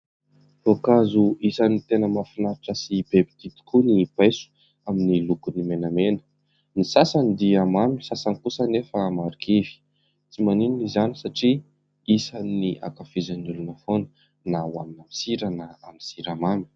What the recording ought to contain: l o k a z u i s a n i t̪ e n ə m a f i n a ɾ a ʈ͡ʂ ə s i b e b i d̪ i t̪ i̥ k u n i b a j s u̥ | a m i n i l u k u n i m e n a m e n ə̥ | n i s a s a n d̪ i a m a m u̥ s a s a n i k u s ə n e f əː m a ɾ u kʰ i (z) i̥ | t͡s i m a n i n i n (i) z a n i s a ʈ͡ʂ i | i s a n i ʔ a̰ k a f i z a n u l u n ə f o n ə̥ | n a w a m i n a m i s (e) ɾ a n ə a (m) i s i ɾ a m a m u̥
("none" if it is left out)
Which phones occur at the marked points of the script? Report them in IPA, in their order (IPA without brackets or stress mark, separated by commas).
v, i, i, m